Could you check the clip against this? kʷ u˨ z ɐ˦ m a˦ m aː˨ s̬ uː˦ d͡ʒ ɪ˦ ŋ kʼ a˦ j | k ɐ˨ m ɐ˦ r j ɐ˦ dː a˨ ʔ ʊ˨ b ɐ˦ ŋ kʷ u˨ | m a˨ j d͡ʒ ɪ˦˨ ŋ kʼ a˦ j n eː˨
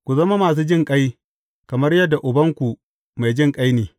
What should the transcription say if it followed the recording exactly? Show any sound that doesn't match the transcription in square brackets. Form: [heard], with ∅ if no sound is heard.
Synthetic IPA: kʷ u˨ z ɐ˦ m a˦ m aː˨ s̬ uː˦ d͡ʒ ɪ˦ ŋ kʼ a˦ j | k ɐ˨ m ɐ˦ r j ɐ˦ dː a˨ ʔ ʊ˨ b ɐ˦ ŋ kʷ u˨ | m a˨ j d͡ʒ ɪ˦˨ ŋ kʼ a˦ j n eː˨